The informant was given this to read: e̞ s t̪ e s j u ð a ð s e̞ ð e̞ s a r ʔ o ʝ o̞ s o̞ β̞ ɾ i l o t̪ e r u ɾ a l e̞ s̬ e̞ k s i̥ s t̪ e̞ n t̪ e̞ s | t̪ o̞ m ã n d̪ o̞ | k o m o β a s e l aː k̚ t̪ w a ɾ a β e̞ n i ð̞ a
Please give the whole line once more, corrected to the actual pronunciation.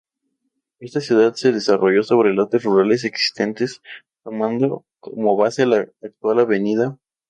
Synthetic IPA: e̞ s t̪ a s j u ð a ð s e̞ ð e̞ s a r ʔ o ʝ o̞ s o̞ β̞ ɾ e l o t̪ e r u ɾ a l e̞ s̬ e̞ k s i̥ s t̪ e̞ n t̪ e̞ s | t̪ o̞ m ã n d̪ o̞ | k o m o β a s e l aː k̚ t̪ w a l a β e̞ n i ð̞ a